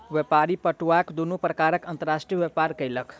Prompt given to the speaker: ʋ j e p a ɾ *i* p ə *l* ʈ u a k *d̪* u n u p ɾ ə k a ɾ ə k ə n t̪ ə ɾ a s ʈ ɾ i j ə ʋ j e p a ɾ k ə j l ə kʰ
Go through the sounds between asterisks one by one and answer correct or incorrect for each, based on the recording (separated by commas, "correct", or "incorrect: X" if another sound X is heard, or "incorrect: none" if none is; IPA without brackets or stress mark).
correct, incorrect: none, correct